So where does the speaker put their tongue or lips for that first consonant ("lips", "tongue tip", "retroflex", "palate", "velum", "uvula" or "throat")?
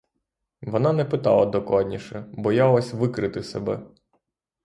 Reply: lips